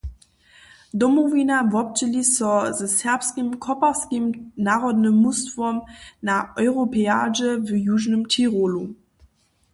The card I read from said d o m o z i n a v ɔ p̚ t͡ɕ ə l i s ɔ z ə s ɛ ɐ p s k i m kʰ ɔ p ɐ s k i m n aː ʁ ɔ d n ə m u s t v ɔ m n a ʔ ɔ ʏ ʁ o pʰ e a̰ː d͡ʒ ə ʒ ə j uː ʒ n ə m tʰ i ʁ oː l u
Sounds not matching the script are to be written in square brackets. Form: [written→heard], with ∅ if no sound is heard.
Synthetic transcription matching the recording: d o m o [z→v] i n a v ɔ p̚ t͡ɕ ə l i s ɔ z ə s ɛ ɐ p s k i m kʰ ɔ p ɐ s k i m n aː ʁ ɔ d n ə m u s t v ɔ m n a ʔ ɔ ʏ ʁ o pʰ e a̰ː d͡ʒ ə [ʒ→v] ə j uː ʒ n ə m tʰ i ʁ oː l u